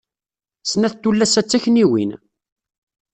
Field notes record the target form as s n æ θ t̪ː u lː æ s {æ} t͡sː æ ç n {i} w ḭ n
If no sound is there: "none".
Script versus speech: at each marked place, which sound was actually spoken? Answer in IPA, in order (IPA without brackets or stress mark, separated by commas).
æ, i